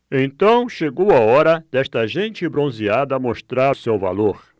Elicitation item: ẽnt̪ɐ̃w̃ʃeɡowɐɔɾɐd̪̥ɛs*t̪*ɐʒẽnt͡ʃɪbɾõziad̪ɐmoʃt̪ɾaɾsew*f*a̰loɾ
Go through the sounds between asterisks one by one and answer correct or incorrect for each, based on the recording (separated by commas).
correct, incorrect